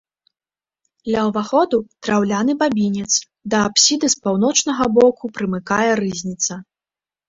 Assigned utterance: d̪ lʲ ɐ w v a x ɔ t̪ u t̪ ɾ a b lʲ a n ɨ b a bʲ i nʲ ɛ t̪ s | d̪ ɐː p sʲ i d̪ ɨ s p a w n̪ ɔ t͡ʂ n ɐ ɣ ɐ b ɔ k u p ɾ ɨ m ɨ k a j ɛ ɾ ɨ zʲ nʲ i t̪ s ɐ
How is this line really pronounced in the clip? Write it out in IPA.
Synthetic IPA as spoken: d̪ lʲ ɐ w v a x ɔ d̪ u t̪ ɾ a w lʲ a n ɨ b a bʲ i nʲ ɛ t̪ s | d̪ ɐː p sʲ i d̪ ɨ s p a w n̪ ɔ t͡ʂ n ɐ ɣ ɐ b ɔ k u p ɾ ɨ m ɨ k a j ɛ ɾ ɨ zʲ nʲ i t̪ s ɐ